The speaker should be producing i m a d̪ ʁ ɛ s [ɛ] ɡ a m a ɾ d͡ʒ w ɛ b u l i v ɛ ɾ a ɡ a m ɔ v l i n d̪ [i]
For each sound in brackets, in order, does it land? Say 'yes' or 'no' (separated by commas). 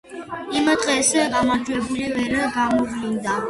yes, no